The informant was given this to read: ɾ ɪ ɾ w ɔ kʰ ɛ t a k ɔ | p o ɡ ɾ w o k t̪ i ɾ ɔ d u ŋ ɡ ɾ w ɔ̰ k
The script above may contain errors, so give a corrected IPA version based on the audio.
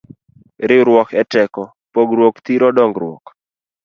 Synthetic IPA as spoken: ɾ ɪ ɾ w ɔ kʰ ɛ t ɛ k ɔ | p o ɡ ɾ w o k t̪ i ɾ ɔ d ɔ ŋ ɡ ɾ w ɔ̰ k